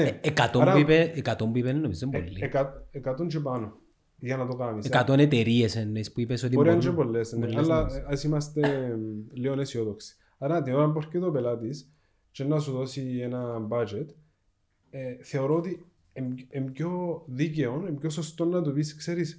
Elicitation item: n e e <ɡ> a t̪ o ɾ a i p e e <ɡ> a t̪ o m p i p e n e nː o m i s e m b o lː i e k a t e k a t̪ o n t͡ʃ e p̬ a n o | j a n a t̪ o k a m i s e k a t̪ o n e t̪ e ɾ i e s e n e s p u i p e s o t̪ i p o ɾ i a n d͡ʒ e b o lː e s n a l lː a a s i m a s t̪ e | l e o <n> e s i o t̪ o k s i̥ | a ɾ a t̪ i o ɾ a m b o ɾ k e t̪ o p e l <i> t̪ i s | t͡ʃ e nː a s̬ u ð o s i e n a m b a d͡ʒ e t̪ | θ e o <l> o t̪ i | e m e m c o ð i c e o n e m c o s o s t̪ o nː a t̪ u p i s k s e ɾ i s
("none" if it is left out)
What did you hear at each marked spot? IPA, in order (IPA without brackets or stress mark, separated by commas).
k, k, n, a, ɾ